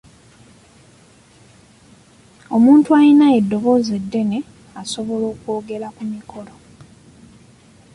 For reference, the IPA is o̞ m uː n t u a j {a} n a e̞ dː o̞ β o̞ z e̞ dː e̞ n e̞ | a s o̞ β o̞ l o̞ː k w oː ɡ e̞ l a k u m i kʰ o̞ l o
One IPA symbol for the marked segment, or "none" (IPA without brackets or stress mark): i